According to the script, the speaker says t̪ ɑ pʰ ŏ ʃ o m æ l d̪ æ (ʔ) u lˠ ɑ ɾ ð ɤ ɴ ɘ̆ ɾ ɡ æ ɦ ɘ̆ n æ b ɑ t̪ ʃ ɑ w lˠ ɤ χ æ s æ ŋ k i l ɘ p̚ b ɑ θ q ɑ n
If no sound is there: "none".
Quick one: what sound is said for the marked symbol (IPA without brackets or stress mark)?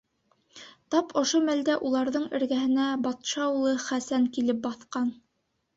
ʔ